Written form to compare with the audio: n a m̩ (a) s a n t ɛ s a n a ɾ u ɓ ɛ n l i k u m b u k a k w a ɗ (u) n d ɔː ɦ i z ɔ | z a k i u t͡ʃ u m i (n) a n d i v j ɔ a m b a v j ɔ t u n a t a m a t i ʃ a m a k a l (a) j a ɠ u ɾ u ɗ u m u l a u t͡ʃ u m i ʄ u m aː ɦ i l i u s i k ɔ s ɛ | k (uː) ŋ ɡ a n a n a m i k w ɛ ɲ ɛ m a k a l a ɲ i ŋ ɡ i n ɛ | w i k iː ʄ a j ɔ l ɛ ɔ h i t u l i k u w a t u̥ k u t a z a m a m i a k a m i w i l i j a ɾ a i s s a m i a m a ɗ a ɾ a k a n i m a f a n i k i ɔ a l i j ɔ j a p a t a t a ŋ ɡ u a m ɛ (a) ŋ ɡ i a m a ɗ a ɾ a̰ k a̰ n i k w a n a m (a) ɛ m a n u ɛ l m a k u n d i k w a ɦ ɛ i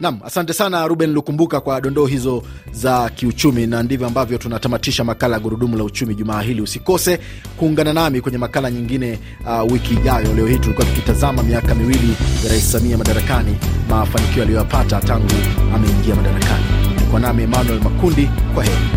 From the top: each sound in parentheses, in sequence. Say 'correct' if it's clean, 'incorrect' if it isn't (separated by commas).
correct, incorrect, correct, correct, correct, incorrect, incorrect